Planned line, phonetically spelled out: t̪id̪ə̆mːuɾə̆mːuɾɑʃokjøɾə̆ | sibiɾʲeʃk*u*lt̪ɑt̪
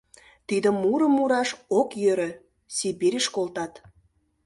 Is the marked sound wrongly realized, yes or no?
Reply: yes